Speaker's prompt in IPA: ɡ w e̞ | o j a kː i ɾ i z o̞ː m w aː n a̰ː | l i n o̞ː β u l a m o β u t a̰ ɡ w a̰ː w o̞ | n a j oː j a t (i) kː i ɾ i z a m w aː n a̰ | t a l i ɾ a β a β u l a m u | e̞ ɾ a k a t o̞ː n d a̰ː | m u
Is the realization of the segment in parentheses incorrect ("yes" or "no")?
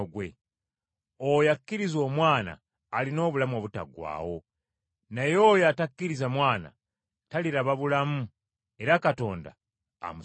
yes